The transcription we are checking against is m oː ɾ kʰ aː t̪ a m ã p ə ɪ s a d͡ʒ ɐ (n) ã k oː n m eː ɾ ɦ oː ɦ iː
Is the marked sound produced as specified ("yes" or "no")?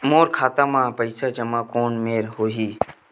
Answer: no